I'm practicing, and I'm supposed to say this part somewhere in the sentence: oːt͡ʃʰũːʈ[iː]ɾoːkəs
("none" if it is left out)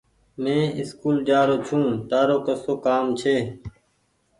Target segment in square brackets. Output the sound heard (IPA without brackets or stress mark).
aː